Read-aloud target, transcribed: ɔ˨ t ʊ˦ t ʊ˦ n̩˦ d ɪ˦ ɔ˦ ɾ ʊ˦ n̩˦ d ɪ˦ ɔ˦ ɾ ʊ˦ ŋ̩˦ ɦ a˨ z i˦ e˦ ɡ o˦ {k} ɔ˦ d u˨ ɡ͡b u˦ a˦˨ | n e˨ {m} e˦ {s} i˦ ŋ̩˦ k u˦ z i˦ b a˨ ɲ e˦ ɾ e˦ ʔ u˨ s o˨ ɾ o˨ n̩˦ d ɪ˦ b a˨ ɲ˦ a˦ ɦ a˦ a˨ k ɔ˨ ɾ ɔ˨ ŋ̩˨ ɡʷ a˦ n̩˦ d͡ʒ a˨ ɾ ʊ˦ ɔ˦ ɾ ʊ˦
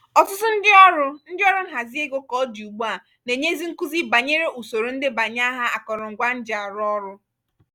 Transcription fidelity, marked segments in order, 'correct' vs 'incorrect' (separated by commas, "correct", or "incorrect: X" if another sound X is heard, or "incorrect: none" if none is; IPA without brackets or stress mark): correct, incorrect: ɲ, incorrect: z